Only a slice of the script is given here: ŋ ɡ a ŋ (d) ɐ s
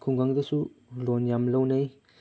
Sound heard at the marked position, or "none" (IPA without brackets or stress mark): d